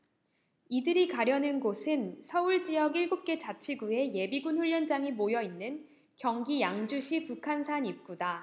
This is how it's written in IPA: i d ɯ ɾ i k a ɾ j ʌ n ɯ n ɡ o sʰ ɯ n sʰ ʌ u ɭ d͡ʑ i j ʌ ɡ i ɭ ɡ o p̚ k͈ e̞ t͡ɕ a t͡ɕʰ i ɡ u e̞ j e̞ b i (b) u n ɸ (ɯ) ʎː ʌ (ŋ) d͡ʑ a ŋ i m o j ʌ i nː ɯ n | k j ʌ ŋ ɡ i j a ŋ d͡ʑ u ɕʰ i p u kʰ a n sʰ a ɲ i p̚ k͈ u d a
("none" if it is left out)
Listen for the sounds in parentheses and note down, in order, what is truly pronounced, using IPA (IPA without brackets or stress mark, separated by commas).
ɡ, u, n